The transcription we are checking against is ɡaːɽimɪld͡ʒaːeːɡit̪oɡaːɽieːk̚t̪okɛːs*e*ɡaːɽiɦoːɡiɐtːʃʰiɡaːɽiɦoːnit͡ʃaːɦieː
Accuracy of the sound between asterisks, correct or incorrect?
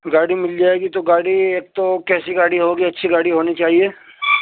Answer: incorrect